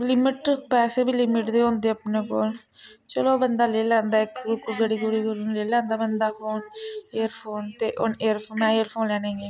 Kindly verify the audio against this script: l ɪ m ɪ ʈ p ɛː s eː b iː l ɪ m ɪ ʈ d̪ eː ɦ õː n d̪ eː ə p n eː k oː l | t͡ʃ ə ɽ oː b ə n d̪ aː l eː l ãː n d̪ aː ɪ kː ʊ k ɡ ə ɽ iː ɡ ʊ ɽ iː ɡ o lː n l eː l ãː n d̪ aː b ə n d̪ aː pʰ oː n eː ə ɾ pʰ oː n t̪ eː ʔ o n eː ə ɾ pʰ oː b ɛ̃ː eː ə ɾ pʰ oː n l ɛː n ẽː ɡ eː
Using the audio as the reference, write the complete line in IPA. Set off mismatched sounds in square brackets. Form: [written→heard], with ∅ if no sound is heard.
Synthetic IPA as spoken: l ɪ m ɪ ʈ p ɛː s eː b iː l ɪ m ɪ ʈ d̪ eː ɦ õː n d̪ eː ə p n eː k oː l | t͡ʃ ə [ɽ→l] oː b ə n d̪ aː l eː l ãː n d̪ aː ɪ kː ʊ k ɡ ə ɽ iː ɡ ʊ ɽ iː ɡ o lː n l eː l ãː n d̪ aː b ə n d̪ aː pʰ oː n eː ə ɾ pʰ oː n t̪ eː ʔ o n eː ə ɾ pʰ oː [b→m] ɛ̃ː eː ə ɾ pʰ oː n l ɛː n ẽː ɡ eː